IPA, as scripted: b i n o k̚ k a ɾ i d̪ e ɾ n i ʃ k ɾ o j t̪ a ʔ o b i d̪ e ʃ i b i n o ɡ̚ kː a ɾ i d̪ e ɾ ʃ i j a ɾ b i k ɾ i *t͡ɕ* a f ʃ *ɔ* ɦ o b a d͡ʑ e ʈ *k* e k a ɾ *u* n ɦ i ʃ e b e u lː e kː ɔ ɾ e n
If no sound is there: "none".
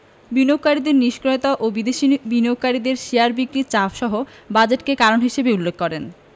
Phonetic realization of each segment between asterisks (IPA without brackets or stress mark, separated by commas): t͡ɕ, ɔ, k, o